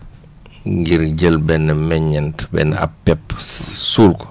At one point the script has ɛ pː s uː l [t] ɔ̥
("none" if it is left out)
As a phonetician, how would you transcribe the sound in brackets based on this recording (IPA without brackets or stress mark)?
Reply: k